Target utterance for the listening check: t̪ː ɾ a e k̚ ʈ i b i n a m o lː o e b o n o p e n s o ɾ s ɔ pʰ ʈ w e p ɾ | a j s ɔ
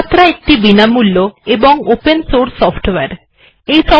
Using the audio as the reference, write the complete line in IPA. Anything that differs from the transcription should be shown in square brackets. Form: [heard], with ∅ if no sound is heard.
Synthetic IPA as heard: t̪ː ɾ a e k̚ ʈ i b i n a m [u] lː o e b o [ŋ] o p e n s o ɾ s ɔ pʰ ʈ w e [∅] ɾ | [e] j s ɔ